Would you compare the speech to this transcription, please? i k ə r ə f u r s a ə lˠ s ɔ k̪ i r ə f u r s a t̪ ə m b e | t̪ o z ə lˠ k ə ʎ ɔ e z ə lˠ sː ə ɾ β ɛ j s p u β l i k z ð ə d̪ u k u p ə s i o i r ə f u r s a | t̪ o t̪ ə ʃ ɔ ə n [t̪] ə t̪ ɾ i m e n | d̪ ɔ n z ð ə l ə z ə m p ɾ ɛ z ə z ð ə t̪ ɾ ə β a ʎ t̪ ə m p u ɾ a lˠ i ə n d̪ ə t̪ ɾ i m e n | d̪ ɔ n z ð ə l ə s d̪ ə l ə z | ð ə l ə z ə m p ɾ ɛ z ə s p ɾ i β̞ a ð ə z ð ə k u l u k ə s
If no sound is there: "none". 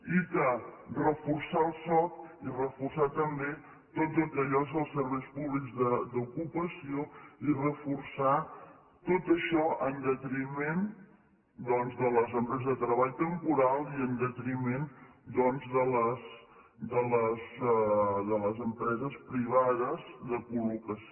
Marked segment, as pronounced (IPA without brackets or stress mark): d̪